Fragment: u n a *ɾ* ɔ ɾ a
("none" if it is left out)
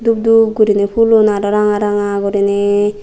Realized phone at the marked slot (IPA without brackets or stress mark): ɾ